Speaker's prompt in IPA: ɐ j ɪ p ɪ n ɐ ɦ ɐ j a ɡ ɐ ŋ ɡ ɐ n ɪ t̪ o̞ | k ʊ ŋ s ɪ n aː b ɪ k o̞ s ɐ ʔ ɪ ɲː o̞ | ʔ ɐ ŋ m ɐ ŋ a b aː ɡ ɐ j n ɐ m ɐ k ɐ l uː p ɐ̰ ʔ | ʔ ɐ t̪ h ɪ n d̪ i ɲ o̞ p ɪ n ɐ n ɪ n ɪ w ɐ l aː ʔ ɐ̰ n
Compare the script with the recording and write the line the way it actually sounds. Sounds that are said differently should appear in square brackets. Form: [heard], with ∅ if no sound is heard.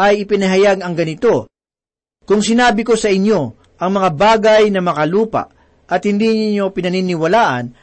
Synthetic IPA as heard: ɐ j ɪ p ɪ n ɐ ɦ ɐ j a ɡ ɐ ŋ ɡ ɐ n ɪ t̪ o̞ | k ʊ ŋ s ɪ n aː b ɪ k o̞ s ɐ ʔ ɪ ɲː o̞ | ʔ ɐ ŋ m ɐ ŋ a b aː ɡ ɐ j n ɐ m ɐ k ɐ l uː p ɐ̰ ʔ | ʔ ɐ t̪ h ɪ n d̪ i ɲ o̞ p ɪ n ɐ n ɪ n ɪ w ɐ l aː ʔ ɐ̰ n